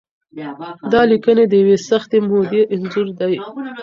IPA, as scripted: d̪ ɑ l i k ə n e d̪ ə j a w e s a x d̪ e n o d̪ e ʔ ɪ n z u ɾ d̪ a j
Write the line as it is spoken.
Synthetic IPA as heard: d̪ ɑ l i k ə n e d̪ ə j a w e s a x t̪ e m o d̪ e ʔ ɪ n z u ɾ d̪ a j